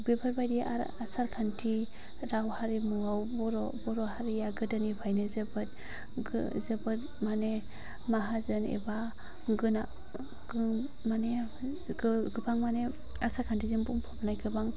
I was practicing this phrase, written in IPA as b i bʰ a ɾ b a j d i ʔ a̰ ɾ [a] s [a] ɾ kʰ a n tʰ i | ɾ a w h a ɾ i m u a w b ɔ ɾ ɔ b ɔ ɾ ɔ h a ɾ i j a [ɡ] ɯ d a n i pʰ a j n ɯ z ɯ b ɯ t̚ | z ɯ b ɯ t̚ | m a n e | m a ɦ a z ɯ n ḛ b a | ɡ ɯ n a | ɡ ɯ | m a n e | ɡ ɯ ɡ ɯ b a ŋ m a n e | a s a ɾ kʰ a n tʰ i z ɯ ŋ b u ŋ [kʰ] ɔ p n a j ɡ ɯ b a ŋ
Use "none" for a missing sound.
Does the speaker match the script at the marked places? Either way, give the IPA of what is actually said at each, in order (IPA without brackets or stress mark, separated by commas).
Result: a, a, ɡ, pʰ